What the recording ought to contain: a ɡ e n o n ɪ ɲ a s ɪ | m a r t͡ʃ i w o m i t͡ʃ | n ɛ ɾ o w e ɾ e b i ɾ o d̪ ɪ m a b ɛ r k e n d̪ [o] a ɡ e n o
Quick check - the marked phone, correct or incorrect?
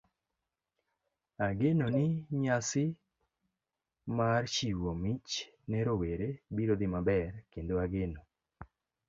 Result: correct